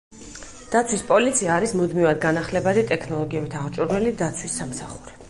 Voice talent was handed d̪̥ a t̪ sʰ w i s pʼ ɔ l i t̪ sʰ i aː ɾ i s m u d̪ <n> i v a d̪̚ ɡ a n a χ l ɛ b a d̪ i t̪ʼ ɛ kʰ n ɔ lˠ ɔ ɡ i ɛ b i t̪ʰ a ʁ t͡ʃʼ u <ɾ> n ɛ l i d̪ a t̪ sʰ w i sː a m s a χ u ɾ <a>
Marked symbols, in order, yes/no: no, yes, no

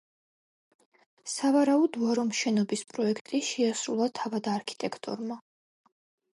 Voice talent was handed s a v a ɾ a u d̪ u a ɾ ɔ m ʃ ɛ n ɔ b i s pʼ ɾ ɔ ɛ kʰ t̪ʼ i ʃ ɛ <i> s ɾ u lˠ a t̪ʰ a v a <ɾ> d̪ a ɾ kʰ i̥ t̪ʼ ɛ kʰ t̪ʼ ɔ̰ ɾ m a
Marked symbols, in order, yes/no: no, no

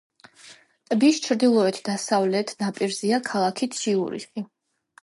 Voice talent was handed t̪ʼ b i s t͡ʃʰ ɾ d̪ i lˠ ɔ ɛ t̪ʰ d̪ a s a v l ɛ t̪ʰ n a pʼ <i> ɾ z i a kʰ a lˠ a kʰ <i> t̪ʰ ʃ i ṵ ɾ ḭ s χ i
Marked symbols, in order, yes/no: yes, yes

